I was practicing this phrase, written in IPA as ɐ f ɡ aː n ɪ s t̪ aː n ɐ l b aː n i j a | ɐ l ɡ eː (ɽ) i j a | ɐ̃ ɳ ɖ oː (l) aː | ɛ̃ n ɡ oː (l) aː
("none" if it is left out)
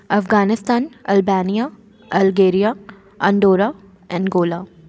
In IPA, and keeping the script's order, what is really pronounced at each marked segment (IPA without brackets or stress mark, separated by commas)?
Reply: ɾ, ɾ, l